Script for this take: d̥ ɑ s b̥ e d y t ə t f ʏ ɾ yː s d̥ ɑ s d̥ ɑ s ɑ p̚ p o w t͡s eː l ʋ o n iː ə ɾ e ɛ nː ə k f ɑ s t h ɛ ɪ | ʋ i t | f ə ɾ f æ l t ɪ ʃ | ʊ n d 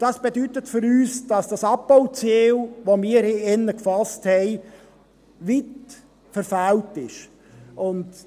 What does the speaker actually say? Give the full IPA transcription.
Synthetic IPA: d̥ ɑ s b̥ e d y t ə t f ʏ ɾ yː s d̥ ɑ s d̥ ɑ s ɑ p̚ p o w t͡s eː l ʋ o m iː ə ɾ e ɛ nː ə k f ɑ s t h ɛ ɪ | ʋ i t | f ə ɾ f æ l t ɪ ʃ | ʊ n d